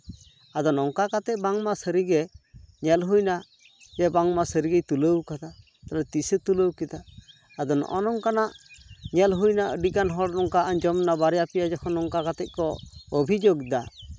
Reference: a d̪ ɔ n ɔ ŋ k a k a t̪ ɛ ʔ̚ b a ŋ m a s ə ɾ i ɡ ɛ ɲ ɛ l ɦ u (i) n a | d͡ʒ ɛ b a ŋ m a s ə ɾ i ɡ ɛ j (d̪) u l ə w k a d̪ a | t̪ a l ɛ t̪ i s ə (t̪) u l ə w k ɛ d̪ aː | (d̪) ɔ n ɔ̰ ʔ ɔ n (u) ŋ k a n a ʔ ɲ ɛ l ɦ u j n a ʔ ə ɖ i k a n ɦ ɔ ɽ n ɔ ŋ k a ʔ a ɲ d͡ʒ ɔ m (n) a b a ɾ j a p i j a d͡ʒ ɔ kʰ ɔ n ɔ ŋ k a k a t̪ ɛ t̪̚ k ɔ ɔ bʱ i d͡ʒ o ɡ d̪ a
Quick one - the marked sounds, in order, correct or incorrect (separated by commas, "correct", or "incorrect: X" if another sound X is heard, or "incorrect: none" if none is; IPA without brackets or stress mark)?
incorrect: j, incorrect: t̪, correct, correct, incorrect: ɔ, correct